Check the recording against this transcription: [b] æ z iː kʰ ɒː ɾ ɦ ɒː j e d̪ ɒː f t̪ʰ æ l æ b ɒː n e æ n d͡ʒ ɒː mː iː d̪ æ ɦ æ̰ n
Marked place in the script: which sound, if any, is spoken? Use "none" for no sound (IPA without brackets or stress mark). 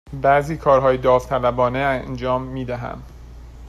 b